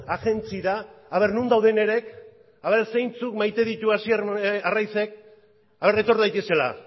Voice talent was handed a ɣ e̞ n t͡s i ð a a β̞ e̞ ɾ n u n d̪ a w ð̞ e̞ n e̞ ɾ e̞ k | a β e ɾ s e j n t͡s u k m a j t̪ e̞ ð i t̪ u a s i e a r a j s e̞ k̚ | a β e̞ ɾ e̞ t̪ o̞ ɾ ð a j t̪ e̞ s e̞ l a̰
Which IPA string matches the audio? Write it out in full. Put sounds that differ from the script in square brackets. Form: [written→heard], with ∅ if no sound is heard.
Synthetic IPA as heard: a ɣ e̞ n t͡s i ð a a β̞ e̞ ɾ n u n d̪ a w ð̞ e̞ n e̞ ɾ e̞ k | a β e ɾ s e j n t͡s u k m a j t̪ e̞ ð i t̪ u a s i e a r a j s e̞ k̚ | a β e̞ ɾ e̞ t̪ o̞ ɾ ð a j t̪ e̞ s e̞ l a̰